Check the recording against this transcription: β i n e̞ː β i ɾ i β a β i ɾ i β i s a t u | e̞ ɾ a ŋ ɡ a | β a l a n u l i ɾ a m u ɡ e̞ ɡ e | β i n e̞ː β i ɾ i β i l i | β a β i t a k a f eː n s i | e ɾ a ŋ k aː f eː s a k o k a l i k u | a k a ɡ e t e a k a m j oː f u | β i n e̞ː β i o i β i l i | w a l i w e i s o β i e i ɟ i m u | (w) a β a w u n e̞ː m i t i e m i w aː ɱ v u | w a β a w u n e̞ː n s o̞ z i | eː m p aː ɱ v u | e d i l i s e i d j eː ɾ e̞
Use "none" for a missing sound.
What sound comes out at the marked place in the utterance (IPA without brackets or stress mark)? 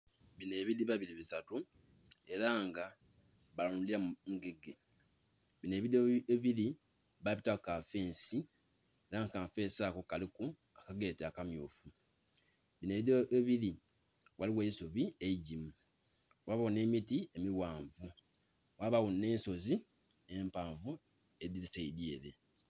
w